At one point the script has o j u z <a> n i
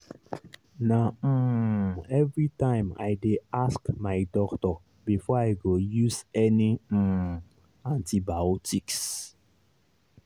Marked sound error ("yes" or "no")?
yes